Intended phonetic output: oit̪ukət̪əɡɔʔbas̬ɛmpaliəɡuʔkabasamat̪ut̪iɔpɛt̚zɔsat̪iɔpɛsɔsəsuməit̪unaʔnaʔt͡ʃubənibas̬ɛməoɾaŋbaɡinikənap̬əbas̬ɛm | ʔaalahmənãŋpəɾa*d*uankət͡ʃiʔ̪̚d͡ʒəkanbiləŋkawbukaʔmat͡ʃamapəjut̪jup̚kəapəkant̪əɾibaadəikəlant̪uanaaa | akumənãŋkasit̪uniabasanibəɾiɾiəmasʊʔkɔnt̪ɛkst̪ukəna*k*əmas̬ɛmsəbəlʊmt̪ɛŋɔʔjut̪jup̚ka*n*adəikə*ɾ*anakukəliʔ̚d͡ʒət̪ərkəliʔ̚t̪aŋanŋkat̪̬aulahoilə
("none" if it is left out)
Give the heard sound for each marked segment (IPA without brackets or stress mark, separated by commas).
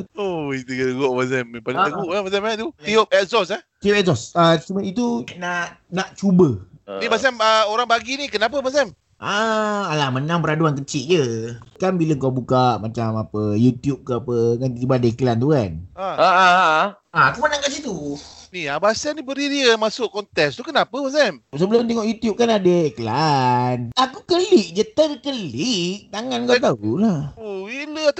d, p, n, l